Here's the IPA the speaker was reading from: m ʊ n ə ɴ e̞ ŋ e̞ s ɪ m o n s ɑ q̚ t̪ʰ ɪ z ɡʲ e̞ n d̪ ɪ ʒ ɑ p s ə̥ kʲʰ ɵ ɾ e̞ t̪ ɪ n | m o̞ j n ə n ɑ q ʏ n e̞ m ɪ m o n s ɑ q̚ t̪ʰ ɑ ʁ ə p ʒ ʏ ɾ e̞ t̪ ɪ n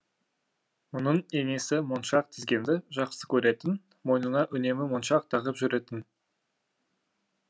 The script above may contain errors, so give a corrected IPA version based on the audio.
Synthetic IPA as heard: m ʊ n ə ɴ e̞ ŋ e̞ s ɪ m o n ʃ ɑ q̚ t̪ʰ ɪ z ɡʲ e̞ n d̪ ɪ ʒ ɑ q s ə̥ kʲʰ ɵ ɾ e̞ t̪ ɪ n | m o̞ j n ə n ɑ ʔ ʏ n e̞ m ɪ m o n ʃ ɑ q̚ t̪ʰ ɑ ʁ ə p ʒ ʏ ɾ e̞ t̪ ɪ n